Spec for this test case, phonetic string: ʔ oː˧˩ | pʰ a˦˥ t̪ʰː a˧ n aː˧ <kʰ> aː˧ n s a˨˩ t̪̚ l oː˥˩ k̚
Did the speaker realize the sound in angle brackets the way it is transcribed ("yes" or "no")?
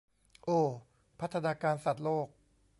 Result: no